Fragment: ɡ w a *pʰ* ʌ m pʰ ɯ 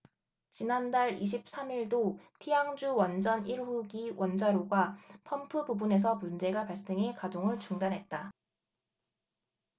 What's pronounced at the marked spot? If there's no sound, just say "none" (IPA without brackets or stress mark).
pʰ